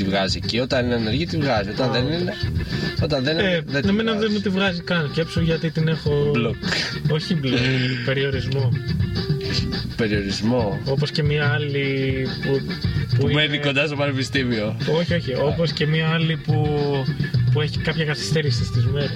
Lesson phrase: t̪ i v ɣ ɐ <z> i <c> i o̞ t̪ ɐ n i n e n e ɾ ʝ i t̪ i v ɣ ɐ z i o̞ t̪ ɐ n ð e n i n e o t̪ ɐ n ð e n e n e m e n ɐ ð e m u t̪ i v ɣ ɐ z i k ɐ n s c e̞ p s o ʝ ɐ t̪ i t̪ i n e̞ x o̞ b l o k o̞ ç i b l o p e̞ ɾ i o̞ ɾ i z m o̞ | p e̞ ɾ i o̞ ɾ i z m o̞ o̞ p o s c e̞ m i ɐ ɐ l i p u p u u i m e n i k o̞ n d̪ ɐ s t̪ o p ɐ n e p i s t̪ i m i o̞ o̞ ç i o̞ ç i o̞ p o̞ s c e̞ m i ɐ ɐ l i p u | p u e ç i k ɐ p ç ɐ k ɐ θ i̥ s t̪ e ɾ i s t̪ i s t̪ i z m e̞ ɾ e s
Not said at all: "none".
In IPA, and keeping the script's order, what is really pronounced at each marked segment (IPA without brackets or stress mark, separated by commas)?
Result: z, c